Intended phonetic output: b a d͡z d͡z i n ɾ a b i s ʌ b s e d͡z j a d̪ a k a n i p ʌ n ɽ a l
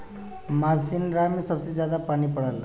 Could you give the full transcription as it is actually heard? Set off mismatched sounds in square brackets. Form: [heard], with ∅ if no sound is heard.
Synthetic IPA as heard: [m] a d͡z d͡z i n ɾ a [m] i s ʌ b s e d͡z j a d̪ a [p] a n i p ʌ [∅] ɽ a l